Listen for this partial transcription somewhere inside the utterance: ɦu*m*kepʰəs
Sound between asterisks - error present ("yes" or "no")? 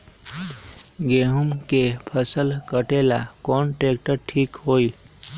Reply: no